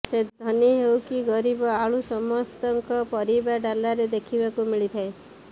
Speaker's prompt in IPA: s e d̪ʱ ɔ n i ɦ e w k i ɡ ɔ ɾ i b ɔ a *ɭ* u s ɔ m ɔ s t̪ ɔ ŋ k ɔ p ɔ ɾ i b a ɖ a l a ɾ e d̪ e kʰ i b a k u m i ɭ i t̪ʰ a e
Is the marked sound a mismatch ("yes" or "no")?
no